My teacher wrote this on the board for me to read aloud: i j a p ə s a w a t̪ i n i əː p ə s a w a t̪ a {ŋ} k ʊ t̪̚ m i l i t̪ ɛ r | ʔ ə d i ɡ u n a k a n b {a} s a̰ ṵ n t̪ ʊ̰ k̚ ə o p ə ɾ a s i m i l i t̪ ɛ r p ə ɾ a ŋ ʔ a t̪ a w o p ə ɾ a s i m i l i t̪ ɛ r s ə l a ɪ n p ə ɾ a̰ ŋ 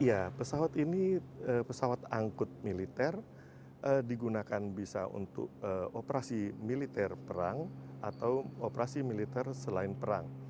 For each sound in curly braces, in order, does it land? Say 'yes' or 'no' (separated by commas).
yes, no